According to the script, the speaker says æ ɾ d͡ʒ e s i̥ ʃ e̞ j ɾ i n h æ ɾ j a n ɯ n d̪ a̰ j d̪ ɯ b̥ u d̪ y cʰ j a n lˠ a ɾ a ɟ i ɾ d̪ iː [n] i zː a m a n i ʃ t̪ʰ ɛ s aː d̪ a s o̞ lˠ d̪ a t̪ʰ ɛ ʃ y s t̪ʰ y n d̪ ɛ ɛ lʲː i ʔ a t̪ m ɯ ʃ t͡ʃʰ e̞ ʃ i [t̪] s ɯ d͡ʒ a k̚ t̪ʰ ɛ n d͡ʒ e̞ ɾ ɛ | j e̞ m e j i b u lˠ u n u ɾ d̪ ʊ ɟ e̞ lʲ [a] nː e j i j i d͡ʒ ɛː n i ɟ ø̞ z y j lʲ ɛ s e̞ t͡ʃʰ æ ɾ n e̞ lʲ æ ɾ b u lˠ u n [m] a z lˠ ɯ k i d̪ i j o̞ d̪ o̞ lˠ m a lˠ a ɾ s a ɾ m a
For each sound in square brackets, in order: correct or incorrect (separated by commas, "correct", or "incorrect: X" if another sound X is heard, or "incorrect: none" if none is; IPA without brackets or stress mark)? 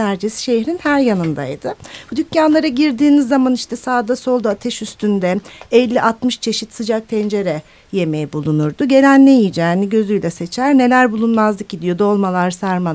correct, correct, incorrect: æ, correct